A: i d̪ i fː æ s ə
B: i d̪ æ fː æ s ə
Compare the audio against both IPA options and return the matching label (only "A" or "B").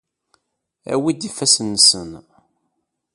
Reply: A